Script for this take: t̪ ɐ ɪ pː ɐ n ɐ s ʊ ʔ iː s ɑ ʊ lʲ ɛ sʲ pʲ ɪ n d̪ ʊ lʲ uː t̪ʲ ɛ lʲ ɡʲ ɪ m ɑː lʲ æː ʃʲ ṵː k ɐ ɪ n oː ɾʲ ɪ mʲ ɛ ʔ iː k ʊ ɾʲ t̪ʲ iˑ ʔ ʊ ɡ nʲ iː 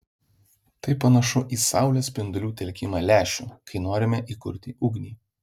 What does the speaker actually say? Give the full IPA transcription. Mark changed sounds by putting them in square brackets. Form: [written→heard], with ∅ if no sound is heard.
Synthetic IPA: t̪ ɐ ɪ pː ɐ n ɐ [s→ʃ] ʊ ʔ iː s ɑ ʊ lʲ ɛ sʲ pʲ ɪ n d̪ ʊ lʲ uː t̪ʲ ɛ lʲ [ɡʲ→kʲ] ɪ m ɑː lʲ æː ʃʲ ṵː k ɐ ɪ n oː ɾʲ ɪ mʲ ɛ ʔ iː k ʊ ɾʲ t̪ʲ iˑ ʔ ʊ ɡ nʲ iː